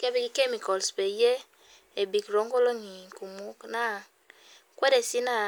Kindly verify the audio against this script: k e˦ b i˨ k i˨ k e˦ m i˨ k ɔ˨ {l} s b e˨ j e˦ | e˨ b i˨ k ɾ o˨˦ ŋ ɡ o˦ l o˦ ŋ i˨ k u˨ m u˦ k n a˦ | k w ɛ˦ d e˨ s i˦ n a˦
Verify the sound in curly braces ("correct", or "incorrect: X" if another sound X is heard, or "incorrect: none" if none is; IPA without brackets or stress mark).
correct